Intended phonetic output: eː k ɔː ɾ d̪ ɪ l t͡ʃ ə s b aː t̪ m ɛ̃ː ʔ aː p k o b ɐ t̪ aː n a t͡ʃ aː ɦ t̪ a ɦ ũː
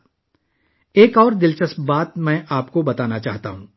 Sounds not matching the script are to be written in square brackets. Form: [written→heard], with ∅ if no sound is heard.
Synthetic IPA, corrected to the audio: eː k ɔː ɾ d̪ ɪ l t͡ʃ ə s b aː t̪ m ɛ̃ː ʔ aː p k o b ɐ t̪ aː n a t͡ʃ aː ɦ t̪ a ɦ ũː